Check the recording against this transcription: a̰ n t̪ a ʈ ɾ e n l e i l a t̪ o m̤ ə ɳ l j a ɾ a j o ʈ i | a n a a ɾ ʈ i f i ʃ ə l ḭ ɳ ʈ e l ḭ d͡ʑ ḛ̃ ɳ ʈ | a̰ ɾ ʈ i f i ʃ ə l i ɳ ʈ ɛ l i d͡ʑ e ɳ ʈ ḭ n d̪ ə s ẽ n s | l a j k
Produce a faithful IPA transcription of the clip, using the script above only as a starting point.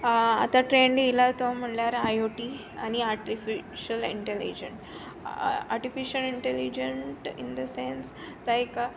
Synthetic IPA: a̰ t̪ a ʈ ɾ e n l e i l a t̪ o m̤ ə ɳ l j a ɾ a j o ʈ i | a n i a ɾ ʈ i f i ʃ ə l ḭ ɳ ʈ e l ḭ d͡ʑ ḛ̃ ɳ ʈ | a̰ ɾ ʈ i f i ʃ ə l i ɳ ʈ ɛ l i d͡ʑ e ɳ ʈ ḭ n d̪ ə s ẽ n s | l a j k